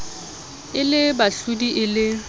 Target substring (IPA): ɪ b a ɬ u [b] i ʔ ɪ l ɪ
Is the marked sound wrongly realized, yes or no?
yes